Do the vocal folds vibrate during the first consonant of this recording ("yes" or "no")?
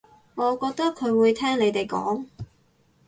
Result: yes